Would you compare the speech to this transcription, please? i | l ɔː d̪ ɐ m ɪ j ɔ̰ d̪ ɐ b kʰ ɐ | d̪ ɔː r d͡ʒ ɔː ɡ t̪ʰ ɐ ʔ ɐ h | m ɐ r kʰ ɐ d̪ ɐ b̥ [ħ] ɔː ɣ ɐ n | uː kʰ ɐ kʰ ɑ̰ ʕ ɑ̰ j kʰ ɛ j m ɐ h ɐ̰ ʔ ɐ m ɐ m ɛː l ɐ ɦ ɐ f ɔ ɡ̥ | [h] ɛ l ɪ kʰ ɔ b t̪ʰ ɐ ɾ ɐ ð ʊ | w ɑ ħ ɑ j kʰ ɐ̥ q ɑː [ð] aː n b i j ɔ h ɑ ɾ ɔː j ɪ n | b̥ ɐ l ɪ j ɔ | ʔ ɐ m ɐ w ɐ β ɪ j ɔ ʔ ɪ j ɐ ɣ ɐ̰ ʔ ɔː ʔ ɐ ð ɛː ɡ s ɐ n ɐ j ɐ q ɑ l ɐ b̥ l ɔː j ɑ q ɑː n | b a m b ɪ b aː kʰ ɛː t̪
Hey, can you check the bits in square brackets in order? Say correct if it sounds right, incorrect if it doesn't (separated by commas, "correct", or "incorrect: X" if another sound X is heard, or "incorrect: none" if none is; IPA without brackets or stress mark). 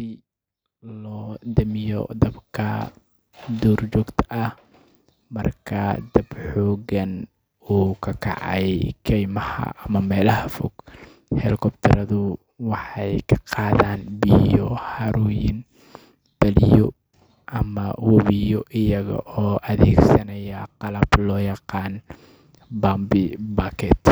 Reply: correct, correct, correct